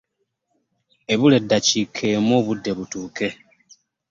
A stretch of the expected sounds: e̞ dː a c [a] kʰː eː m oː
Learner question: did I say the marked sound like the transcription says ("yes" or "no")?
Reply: no